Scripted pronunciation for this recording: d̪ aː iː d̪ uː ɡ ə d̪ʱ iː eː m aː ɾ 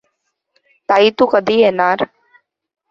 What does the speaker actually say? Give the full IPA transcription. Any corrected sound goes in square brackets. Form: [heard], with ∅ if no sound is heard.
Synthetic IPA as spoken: [t̪] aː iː [t̪] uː [k] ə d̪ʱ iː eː [n] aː ɾ